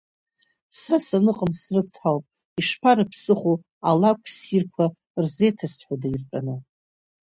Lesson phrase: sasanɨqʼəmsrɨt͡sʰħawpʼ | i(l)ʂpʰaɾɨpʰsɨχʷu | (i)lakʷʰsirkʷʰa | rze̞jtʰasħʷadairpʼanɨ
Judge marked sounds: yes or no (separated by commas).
no, no